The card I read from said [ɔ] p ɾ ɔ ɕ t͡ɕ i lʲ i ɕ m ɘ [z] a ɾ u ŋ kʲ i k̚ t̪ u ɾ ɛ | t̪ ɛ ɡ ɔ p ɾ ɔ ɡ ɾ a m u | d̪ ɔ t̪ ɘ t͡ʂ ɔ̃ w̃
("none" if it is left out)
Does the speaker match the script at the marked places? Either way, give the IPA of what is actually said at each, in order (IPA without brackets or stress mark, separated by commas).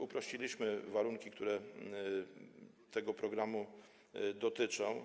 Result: u, v